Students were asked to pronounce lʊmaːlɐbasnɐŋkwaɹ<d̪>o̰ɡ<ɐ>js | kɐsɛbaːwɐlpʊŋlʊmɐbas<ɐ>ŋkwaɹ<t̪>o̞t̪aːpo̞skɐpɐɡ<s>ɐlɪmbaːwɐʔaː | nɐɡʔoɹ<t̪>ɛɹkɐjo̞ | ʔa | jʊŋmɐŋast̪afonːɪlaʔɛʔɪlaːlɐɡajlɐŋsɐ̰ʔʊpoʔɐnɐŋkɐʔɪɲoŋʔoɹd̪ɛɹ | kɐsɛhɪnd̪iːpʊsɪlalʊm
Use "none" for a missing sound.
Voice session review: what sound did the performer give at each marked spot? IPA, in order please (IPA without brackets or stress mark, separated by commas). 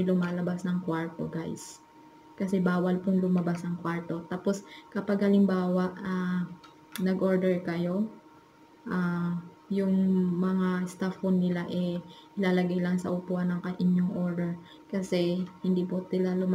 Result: t̪, a, ɐ, t̪, h, d̪